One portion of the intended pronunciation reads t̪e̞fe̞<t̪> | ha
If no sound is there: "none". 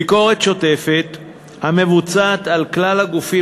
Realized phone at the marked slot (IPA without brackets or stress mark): t̪